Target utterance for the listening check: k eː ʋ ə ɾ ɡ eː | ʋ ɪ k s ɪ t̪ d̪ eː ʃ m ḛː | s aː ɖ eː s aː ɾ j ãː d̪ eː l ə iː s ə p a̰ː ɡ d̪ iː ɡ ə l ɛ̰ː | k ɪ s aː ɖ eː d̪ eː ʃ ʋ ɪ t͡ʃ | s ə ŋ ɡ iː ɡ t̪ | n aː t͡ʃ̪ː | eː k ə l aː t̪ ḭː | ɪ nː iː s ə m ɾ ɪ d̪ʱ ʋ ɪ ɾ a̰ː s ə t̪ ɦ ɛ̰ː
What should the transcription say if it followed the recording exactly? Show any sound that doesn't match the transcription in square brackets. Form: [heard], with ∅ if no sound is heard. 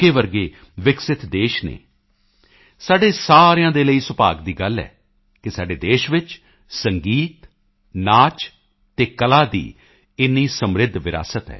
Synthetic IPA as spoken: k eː ʋ ə ɾ ɡ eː | ʋ ɪ k s ɪ t̪ d̪ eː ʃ [n] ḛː | s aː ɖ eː s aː ɾ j ãː d̪ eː l ə iː s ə p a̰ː ɡ d̪ iː ɡ ə l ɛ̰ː | k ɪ s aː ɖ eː d̪ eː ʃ ʋ ɪ t͡ʃ | s ə ŋ ɡ iː [∅] t̪ | n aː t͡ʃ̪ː | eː k ə l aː [d̪] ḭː | ɪ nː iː s ə m ɾ ɪ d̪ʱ ʋ ɪ ɾ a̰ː s ə t̪ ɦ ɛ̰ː